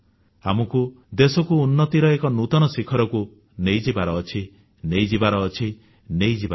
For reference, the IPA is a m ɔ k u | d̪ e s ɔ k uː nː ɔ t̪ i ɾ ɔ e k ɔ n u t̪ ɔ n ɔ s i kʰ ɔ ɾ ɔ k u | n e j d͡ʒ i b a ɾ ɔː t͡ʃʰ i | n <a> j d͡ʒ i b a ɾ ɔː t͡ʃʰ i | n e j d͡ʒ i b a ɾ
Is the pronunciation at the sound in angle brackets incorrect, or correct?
incorrect: e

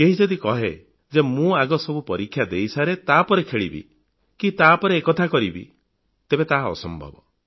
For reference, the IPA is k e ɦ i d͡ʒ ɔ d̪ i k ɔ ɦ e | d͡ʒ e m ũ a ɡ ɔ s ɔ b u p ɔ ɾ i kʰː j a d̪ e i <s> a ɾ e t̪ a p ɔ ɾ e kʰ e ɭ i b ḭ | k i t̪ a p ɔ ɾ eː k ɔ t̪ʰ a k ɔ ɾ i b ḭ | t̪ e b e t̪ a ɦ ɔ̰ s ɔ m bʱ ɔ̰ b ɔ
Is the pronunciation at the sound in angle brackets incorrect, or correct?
correct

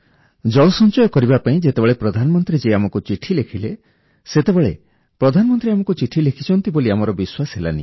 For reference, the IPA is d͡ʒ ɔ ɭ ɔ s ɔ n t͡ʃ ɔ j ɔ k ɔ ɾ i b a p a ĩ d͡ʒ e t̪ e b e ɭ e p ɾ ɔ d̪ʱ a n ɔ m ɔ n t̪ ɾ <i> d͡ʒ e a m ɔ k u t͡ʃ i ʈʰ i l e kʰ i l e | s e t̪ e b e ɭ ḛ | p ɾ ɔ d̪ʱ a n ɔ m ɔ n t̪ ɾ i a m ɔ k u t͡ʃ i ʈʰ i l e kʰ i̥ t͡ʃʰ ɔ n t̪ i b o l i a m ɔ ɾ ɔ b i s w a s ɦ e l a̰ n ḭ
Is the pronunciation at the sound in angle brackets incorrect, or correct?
correct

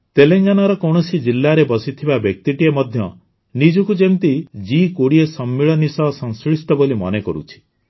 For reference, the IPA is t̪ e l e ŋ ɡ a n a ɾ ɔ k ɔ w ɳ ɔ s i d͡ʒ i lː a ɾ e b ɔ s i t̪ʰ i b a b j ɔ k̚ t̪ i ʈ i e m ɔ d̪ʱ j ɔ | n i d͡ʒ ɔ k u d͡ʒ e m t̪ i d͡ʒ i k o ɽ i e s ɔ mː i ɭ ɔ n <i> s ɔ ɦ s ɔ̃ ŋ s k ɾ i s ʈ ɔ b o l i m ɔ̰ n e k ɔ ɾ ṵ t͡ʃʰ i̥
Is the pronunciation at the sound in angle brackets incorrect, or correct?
correct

